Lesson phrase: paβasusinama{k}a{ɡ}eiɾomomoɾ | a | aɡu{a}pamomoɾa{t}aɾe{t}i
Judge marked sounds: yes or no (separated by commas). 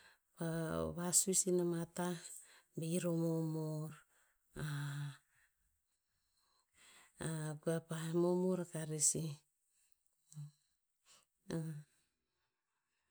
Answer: no, no, yes, no, no